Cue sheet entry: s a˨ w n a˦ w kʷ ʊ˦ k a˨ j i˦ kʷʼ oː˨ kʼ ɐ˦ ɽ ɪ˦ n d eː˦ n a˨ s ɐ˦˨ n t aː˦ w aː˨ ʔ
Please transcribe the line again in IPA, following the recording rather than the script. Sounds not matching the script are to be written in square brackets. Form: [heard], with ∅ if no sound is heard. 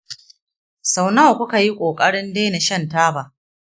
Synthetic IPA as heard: s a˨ w n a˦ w kʷ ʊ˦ k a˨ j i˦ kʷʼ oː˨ kʼ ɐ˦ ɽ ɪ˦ n d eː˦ n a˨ [ʃ] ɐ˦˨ n t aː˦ [b] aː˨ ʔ